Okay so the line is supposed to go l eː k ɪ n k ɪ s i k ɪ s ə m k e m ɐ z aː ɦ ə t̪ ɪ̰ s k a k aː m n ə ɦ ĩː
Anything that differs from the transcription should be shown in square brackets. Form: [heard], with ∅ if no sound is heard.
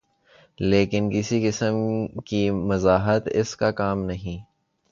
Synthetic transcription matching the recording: l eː k ɪ n k ɪ s i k ɪ s ə m k [i] m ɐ z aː ɦ ə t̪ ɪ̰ s k a k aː m n [ɐ] ɦ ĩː